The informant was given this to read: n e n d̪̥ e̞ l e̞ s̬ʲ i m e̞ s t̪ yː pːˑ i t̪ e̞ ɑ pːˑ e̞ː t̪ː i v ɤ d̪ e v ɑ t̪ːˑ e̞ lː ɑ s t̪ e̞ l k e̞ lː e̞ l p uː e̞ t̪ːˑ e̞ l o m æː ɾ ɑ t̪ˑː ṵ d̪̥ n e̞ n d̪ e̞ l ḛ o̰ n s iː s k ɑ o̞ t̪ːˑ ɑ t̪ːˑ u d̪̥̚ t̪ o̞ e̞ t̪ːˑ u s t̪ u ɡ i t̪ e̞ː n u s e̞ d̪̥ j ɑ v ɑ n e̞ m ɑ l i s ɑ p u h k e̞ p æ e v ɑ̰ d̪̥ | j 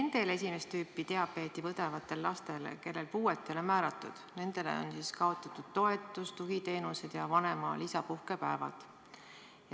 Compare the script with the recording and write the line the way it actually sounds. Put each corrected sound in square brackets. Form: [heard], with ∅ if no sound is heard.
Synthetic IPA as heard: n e n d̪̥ e̞ l e̞ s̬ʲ i m e̞ s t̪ yː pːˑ i t̪ e̞ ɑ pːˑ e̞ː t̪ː i v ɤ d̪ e v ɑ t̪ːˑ e̞ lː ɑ s t̪ e̞ l k e̞ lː e̞ l p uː e̞ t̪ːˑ e̞ l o m æː ɾ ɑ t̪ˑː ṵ d̪̥ n e̞ n d̪ e̞ l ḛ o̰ n s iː s k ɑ o̞ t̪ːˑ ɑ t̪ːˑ u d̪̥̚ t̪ o̞ e̞ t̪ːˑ u s t̪ u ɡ i t̪ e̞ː n u s e̞ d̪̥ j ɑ v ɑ n e̞ m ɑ l i s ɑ p u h k e̞ p æ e v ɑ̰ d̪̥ | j